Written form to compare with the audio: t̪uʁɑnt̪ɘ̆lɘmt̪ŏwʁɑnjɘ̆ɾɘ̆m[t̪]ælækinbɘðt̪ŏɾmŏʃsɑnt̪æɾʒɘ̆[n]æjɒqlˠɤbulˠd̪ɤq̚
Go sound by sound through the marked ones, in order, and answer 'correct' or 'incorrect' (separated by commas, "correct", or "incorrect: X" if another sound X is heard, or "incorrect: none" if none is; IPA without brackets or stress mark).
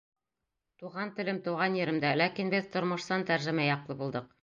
incorrect: d̪, incorrect: m